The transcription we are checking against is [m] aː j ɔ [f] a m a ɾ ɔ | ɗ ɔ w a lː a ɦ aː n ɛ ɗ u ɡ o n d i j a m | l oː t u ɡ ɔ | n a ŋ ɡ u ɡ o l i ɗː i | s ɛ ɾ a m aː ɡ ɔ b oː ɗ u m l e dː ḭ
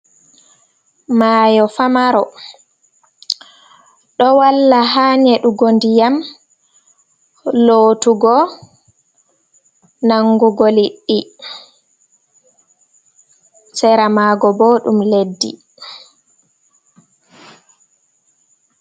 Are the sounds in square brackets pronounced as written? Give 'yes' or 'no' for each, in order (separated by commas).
yes, yes